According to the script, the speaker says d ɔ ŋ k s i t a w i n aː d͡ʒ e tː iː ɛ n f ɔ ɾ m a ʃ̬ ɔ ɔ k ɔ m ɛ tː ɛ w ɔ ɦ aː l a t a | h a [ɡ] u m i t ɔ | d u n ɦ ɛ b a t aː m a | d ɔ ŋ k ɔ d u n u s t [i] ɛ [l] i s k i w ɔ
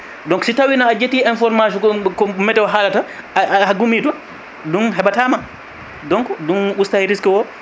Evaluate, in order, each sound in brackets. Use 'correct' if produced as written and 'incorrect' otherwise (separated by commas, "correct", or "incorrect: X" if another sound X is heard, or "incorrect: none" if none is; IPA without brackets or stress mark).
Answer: correct, incorrect: a, incorrect: ɾ